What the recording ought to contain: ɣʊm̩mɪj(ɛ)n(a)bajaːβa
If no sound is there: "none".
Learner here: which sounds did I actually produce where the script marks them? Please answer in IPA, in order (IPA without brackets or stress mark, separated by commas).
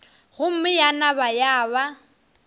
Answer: a, a